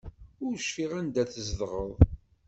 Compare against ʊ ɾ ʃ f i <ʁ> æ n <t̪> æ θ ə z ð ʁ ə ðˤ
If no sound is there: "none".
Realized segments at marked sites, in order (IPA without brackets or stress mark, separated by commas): ʁ, d̪